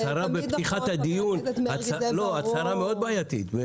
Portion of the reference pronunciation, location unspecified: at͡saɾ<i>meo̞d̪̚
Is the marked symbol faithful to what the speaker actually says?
no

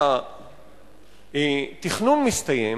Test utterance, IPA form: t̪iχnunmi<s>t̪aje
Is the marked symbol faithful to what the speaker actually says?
yes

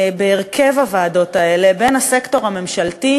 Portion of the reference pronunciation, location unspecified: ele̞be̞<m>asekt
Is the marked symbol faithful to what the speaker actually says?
no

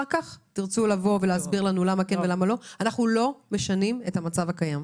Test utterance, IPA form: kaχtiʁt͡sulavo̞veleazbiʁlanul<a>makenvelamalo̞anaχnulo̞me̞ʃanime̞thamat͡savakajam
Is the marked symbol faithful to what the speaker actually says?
yes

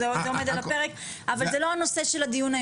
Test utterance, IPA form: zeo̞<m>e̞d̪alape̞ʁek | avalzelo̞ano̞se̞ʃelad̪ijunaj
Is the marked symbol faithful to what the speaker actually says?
yes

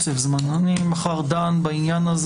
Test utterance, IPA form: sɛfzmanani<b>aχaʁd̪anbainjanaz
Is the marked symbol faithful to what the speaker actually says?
no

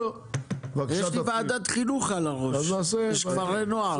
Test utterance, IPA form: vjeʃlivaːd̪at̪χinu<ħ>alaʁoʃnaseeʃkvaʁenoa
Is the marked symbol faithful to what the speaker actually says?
no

